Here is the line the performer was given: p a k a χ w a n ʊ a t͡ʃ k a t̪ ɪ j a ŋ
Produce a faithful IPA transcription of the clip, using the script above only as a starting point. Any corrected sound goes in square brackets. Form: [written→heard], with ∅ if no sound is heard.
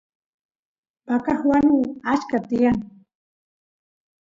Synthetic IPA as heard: p a k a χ w a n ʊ a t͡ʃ k a t̪ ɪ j a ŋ